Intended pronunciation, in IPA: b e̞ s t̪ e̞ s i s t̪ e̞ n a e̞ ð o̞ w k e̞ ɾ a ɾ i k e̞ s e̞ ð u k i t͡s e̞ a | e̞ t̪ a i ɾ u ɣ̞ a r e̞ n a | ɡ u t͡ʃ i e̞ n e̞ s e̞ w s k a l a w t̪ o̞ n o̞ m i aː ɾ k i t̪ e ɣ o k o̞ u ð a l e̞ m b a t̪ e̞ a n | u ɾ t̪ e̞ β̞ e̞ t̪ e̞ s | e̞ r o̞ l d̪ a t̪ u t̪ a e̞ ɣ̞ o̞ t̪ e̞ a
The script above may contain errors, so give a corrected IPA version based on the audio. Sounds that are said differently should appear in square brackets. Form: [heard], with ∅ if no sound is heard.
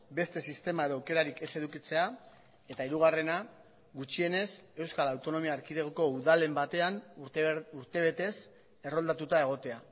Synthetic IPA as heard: b e̞ s t̪ e̞ s i s t̪ e̞ [m] a e̞ ð o̞ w k e̞ ɾ a ɾ i k e̞ s e̞ ð u k i t͡s e̞ a | e̞ t̪ a i ɾ u ɣ̞ a r e̞ n a | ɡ u t͡ʃ i e̞ n e̞ s e̞ w s k a l a w t̪ o̞ n o̞ m i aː ɾ k i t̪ e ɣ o k o̞ u ð a l e̞ m b a t̪ e̞ a n | u ɾ t̪ e̞ β̞ e̞ t̪ e̞ s | e̞ r o̞ l d̪ a t̪ u t̪ a e̞ ɣ̞ o̞ t̪ e̞ a